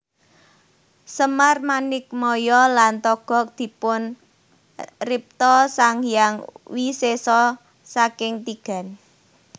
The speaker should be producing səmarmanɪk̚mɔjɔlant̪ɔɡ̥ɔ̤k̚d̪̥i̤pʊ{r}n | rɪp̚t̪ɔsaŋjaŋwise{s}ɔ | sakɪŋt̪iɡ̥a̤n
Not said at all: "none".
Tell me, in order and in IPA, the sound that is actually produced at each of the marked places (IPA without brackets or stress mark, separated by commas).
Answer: none, s